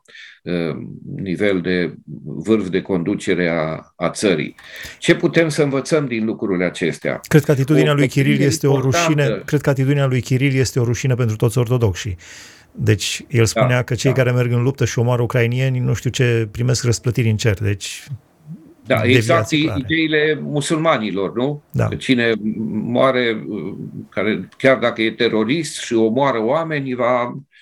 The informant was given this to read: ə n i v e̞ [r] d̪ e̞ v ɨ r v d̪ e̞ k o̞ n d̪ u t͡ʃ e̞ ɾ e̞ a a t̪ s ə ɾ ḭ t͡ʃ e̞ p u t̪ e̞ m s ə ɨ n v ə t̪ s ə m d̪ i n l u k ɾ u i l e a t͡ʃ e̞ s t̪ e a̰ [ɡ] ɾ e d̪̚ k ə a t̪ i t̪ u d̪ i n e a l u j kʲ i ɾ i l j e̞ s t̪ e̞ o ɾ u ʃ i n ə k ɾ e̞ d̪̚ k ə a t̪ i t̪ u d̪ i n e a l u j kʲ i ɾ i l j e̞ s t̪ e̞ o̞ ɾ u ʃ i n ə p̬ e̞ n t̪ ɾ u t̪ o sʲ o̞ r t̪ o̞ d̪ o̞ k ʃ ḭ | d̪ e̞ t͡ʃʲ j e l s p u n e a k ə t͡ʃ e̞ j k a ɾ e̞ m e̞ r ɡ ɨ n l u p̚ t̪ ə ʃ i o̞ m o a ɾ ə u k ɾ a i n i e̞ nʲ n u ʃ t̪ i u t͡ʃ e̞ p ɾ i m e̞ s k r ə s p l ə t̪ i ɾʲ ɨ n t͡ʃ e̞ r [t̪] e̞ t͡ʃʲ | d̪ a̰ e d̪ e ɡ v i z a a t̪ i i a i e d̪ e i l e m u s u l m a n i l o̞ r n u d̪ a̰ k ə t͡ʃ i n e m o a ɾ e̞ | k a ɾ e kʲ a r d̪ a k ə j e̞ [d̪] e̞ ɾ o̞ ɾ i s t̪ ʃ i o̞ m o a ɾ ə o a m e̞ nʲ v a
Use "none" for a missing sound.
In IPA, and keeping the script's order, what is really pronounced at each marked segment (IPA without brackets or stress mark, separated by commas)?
l, k, d̪, t̪